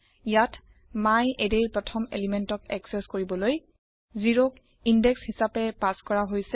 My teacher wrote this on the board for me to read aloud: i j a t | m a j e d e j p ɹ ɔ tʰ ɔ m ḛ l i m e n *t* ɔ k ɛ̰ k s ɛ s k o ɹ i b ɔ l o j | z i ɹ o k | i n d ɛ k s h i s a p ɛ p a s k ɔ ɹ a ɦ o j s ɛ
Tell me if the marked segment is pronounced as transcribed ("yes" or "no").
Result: yes